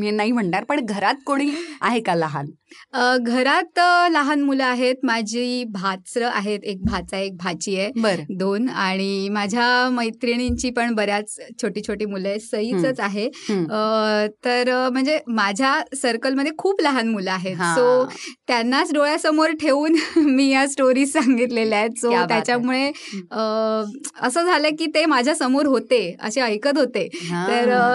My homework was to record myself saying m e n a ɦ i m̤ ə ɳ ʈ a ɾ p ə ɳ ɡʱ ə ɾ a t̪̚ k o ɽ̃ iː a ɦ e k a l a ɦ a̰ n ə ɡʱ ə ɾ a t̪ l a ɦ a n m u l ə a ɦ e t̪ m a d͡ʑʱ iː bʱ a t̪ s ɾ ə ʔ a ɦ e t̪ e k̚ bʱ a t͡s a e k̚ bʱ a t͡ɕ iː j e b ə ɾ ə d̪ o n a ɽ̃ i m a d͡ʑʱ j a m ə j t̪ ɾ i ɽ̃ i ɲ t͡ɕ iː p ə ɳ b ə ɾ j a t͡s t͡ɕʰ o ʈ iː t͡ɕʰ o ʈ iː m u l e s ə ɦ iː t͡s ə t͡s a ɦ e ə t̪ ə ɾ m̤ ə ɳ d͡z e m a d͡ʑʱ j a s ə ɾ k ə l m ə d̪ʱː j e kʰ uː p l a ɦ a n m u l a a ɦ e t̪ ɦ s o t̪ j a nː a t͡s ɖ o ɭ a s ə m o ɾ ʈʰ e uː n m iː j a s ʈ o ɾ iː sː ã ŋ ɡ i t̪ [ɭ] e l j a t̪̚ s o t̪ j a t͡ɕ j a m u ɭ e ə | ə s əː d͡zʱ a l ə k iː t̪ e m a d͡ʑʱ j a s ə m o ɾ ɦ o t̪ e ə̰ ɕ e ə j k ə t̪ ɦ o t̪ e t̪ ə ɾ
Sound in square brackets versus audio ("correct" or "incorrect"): incorrect